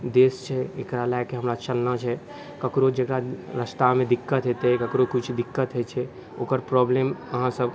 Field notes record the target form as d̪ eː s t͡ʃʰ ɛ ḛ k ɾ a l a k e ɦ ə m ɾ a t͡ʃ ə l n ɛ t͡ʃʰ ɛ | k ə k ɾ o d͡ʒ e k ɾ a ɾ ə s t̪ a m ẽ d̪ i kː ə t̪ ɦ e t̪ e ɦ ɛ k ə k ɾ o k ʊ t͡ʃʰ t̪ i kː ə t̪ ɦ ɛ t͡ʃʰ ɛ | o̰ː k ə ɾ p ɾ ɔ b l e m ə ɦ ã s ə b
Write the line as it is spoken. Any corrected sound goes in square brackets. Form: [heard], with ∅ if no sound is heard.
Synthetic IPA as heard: d̪ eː s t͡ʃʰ ɛ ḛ k ɾ a l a k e ɦ ə m ɾ a t͡ʃ ə l n [a] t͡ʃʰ ɛ | k ə k ɾ o d͡ʒ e k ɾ a ɾ ə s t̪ a m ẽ d̪ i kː ə t̪ ɦ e t̪ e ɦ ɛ k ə k ɾ o k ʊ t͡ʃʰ [d̪] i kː ə t̪ ɦ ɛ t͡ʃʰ ɛ | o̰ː k ə ɾ p ɾ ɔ b l e m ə ɦ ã s ə b